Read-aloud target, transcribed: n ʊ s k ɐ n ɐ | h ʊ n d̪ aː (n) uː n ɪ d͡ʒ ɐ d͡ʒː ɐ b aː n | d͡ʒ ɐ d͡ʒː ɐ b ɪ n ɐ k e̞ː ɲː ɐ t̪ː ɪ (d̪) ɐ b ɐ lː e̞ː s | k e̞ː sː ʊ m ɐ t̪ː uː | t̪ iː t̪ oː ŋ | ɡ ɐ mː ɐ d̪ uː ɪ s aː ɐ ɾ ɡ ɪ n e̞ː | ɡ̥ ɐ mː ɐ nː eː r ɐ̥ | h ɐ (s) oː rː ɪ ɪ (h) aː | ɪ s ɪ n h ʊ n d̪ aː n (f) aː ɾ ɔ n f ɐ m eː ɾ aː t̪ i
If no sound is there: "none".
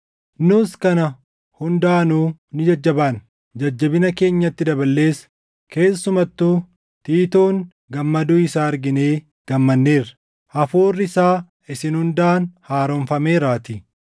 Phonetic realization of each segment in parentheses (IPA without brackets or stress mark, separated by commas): n, d̪, f, s, h